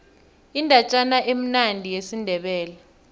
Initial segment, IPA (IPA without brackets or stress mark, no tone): i